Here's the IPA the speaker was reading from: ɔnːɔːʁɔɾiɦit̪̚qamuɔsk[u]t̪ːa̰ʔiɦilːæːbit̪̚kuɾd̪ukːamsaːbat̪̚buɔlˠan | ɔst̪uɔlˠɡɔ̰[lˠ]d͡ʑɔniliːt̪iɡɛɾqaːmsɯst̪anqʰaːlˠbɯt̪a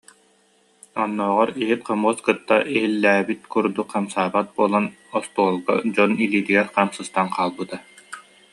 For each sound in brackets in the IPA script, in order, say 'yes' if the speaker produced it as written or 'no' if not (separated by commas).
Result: no, no